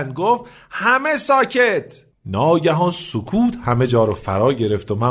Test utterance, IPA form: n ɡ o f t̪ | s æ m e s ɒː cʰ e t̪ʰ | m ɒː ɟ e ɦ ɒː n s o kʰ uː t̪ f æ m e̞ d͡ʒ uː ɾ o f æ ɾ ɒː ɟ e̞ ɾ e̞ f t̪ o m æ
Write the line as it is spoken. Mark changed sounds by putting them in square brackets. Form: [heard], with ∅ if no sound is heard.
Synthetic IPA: n ɡ o f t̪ | [h] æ m e s ɒː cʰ e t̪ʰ | [n] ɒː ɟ [æ] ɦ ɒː n s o kʰ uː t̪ [h] æ m e̞ d͡ʒ [ɒː] ɾ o f æ ɾ ɒː ɟ e̞ ɾ e̞ f t̪ o m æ